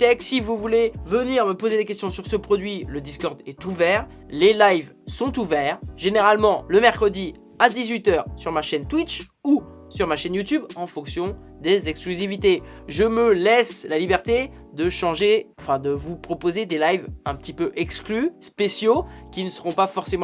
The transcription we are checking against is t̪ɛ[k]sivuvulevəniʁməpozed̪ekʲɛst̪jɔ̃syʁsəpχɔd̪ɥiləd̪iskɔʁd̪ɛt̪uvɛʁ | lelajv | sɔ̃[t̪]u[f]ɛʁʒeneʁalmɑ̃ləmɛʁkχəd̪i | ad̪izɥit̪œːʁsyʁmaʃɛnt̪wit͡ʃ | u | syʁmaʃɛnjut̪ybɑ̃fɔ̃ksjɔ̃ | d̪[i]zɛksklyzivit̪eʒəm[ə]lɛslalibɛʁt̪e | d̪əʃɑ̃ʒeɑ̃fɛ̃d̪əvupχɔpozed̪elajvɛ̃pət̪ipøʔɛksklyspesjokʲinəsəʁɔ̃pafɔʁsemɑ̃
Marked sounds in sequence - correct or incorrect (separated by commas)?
correct, correct, incorrect, incorrect, correct